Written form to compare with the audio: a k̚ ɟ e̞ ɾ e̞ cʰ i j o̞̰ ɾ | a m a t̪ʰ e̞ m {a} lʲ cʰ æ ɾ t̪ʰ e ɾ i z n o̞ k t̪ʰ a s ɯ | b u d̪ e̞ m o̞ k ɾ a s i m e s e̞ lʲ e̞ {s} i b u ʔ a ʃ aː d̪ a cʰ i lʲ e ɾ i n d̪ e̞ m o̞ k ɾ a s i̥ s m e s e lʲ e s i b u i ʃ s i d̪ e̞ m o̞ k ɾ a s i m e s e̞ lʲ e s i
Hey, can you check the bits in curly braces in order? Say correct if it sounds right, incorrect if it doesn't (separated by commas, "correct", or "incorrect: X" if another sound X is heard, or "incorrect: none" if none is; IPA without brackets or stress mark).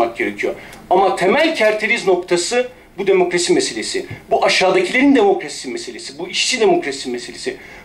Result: incorrect: æ, correct